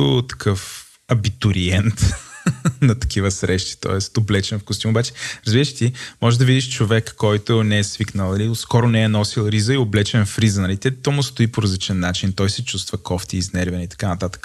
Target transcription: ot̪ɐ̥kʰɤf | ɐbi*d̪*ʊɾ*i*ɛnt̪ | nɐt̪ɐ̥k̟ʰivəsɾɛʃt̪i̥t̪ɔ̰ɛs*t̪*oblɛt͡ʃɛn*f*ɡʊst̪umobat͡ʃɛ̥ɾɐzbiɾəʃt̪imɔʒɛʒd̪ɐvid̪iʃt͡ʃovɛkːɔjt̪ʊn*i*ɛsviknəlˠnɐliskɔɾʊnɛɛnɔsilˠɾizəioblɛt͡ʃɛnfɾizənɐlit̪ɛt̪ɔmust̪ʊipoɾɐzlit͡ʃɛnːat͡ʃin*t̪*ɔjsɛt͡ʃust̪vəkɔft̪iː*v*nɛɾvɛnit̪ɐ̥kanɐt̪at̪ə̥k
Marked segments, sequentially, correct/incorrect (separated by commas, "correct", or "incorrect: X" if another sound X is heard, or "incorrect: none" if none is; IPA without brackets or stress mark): incorrect: t̪, correct, correct, correct, incorrect: ɛ, correct, incorrect: z